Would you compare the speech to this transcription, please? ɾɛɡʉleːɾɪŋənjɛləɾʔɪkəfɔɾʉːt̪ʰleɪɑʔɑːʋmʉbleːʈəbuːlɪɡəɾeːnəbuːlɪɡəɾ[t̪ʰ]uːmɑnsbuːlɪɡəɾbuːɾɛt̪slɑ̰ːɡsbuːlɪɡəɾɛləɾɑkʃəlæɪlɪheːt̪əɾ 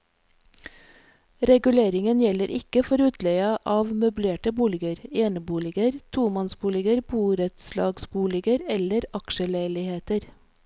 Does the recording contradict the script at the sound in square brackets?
no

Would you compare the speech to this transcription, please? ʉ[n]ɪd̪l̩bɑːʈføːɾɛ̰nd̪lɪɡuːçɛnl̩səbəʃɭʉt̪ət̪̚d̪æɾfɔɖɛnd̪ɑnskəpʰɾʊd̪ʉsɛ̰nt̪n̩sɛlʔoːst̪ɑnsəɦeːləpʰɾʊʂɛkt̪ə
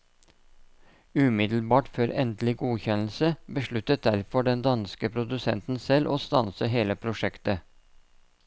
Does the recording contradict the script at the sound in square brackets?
yes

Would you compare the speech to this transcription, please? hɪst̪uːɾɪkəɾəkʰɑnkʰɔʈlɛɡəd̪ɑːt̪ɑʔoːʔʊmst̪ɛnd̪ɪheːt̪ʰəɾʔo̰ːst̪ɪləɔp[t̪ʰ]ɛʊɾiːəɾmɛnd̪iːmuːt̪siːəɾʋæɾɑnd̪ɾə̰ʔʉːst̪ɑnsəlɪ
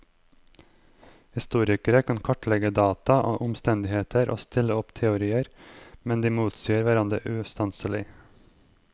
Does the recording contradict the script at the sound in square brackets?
no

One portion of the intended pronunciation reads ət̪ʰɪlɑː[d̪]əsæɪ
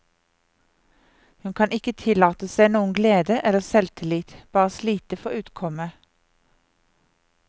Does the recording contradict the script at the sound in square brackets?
yes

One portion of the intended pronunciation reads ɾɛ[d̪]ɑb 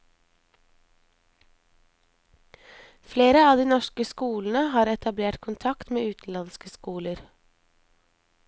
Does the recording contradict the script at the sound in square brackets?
yes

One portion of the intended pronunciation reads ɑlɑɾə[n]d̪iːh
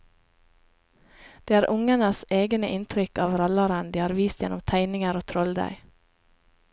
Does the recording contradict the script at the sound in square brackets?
no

